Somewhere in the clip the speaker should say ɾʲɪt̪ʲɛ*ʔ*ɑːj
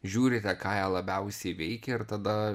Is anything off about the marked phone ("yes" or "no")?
yes